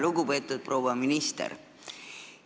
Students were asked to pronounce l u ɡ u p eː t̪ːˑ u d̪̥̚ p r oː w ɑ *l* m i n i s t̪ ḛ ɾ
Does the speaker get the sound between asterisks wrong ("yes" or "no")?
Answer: yes